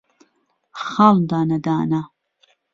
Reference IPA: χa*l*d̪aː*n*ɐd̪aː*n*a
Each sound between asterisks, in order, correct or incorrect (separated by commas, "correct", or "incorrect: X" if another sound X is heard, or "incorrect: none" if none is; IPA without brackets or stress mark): correct, correct, correct